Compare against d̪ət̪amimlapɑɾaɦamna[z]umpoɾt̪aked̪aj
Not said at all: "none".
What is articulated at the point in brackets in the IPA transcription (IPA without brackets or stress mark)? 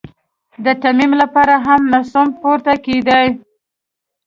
s